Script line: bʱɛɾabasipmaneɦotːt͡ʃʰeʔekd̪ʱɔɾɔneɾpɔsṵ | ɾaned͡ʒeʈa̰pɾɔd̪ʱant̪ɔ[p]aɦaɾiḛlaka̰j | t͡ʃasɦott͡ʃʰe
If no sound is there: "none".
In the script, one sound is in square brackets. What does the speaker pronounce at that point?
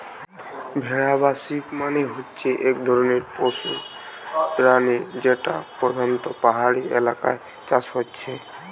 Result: p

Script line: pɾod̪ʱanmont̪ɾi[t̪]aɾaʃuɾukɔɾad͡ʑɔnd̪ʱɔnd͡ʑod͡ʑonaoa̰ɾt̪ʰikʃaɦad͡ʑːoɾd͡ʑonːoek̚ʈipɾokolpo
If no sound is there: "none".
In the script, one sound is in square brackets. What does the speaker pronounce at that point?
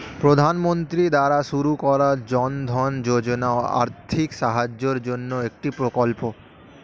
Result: d̪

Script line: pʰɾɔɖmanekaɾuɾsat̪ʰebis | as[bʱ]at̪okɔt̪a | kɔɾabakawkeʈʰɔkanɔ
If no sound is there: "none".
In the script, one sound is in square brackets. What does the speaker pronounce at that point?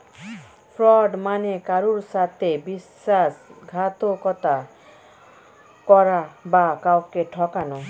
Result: ɡʱ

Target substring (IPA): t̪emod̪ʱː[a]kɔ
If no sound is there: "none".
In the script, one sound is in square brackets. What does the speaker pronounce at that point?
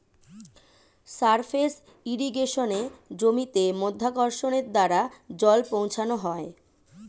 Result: a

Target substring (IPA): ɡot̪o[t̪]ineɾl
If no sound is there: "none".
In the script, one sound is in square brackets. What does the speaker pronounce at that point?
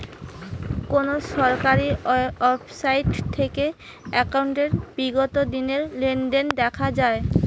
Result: d̪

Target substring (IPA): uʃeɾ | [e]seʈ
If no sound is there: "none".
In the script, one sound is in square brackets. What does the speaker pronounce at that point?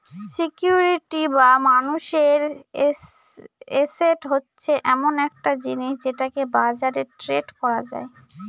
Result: e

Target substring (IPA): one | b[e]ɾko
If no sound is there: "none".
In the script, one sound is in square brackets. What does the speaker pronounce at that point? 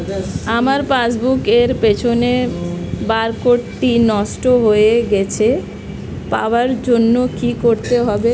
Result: a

